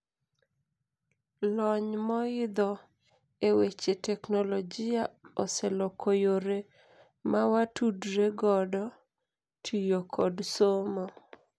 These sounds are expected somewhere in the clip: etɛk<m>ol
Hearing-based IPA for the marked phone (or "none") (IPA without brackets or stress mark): n